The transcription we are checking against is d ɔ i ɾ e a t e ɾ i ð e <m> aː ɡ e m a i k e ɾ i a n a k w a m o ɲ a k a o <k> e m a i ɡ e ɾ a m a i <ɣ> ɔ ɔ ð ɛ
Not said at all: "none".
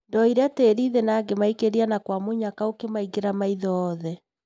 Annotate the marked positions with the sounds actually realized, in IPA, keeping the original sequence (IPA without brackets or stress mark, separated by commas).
n, k, ð